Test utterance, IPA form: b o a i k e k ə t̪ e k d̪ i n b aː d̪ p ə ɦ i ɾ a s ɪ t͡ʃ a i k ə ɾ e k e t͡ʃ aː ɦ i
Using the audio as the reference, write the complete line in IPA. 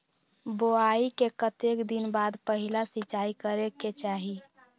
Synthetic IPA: b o a i k e k ə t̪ e k d̪ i n b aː d̪ p ə ɦ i l a s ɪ t͡ʃ a i k ə ɾ e k e t͡ʃ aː ɦ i